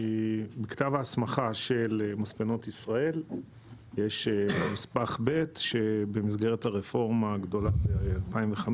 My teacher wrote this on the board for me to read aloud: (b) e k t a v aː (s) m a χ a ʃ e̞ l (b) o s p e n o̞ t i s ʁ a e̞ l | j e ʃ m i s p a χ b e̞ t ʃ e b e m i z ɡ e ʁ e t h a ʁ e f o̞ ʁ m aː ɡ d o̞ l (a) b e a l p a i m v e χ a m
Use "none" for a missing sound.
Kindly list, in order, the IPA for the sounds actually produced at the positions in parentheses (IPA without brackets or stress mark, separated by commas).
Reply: b, s, m, a